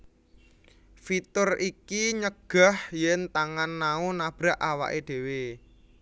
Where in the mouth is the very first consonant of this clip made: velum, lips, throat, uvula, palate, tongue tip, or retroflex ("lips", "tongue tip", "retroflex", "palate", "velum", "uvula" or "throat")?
lips